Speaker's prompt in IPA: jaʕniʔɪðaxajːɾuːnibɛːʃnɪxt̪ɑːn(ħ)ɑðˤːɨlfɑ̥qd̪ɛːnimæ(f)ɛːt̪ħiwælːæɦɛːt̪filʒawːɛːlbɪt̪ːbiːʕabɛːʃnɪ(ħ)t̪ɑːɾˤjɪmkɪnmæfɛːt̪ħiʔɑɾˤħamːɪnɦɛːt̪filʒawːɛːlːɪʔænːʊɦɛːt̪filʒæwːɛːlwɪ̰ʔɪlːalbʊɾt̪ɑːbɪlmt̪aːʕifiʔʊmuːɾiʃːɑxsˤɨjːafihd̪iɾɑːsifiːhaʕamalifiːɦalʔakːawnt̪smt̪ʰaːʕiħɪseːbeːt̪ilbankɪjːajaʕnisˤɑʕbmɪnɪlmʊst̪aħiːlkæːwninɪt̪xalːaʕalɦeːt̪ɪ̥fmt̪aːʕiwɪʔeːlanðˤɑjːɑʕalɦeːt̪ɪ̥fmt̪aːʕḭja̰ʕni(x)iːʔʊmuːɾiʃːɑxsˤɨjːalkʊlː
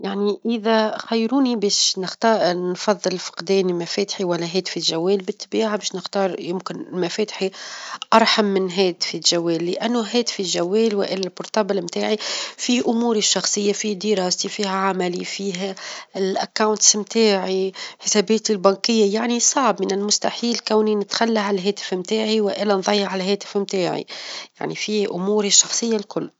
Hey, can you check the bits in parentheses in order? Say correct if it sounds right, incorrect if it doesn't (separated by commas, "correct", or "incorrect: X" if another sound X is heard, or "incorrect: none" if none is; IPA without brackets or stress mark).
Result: incorrect: f, correct, incorrect: x, incorrect: f